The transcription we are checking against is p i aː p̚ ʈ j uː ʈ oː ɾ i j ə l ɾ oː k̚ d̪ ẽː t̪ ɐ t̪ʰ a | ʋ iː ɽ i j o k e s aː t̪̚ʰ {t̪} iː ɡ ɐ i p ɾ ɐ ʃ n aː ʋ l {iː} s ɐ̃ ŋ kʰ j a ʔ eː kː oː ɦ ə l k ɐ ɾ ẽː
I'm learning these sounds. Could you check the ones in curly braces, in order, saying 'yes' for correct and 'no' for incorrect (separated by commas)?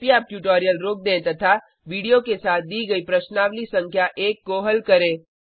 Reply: no, no